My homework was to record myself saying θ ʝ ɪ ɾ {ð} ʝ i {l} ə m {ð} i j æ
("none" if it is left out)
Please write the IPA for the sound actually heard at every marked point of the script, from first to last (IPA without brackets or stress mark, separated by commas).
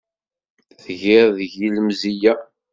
ð, l, z